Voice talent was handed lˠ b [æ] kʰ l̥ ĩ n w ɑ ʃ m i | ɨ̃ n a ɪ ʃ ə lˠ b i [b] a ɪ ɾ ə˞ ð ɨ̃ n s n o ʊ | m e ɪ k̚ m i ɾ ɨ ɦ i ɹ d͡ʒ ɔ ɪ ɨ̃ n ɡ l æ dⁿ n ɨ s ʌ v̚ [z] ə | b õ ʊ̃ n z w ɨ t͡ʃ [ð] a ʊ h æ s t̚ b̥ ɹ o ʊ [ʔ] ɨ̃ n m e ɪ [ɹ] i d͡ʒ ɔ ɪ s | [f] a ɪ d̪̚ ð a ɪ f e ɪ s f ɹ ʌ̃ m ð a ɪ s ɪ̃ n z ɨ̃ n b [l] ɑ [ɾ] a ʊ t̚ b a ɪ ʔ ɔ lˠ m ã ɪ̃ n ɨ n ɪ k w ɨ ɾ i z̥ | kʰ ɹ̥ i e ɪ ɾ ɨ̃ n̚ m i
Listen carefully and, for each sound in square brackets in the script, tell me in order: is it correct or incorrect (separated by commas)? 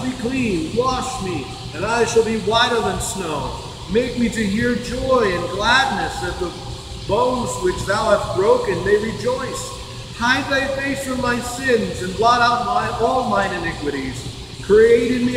incorrect, incorrect, incorrect, correct, incorrect, correct, incorrect, correct, correct